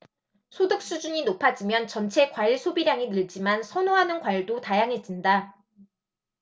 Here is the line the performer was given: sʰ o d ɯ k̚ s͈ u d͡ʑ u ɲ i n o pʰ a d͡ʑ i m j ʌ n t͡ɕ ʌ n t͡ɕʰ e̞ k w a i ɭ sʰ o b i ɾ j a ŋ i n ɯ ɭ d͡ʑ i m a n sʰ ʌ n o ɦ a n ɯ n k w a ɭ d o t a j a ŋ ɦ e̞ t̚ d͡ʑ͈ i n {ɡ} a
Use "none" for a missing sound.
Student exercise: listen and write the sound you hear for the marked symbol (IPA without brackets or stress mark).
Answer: d